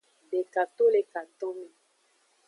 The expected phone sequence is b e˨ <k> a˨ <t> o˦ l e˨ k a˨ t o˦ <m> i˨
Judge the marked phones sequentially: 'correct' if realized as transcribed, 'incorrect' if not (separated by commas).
correct, correct, correct